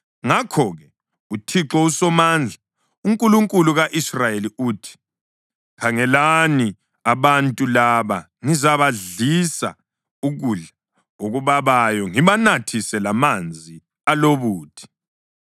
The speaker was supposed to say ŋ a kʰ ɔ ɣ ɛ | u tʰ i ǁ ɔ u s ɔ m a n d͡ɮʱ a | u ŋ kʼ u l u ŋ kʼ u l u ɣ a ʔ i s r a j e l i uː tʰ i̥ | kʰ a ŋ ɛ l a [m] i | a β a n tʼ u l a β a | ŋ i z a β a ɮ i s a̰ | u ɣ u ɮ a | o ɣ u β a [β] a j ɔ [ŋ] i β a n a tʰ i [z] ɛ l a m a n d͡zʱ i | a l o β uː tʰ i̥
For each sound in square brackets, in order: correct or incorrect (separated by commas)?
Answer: incorrect, correct, correct, incorrect